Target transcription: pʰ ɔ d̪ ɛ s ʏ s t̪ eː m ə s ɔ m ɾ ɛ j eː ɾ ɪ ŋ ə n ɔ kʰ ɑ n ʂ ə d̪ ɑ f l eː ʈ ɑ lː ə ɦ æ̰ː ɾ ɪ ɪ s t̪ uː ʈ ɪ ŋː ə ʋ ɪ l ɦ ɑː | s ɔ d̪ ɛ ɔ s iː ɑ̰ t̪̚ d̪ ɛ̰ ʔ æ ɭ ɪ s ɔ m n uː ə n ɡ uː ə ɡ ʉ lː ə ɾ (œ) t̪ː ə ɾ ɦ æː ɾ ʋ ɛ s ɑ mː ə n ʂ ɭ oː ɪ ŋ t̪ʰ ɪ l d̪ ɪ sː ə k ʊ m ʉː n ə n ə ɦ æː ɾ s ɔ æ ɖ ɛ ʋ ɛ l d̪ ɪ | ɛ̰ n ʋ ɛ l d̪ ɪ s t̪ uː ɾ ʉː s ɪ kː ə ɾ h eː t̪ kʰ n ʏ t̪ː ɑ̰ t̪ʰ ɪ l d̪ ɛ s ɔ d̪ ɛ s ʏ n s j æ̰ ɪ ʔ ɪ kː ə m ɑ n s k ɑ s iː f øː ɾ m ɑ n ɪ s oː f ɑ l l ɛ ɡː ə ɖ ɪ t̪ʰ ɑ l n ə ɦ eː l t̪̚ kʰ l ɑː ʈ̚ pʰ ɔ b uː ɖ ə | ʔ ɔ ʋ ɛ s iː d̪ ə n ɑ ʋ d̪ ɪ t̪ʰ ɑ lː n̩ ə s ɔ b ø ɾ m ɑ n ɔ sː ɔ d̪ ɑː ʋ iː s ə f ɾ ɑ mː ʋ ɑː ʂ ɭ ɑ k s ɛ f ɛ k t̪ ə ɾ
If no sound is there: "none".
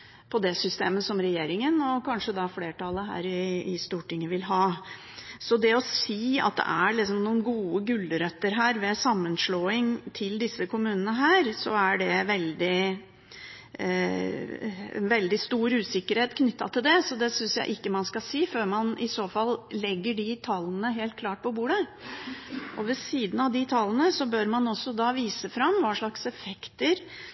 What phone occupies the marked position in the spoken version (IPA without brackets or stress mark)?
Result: œ